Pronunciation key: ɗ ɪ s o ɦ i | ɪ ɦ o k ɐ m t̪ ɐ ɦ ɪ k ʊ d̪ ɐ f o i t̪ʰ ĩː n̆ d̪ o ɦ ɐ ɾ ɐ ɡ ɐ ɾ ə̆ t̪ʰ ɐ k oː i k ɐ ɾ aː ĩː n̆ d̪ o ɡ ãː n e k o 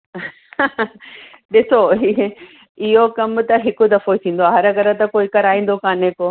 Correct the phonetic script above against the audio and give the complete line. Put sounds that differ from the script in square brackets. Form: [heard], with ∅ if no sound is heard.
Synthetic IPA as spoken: ɗ ɪ s o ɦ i | ɪ ɦ o k ɐ m t̪ ɐ ɦ ɪ k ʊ d̪ ɐ f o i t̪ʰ ĩː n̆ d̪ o ɦ ɐ ɾ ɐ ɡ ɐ ɾ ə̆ [t̪] ɐ k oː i k ɐ ɾ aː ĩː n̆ d̪ o [k] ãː n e k o